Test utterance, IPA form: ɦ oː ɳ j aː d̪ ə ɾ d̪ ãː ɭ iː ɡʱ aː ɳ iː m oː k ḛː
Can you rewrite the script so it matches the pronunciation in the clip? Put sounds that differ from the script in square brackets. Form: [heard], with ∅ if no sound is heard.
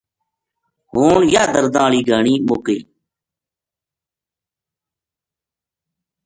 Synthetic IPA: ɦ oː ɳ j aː d̪ ə ɾ d̪ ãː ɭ iː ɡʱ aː ɳ iː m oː k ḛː